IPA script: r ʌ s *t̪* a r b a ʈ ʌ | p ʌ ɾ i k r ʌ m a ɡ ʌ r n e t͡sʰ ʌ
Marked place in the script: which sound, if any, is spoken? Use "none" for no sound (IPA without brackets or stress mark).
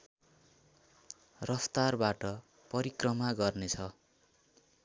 t̪